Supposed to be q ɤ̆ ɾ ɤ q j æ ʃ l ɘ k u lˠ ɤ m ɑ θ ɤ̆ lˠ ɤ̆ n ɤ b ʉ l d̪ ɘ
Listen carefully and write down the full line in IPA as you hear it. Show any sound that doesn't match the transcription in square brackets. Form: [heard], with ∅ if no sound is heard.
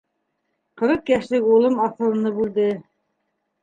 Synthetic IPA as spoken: q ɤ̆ ɾ ɤ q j æ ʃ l ɘ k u lˠ ɤ m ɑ θ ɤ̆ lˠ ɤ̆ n ɤ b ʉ l d̪ ɘ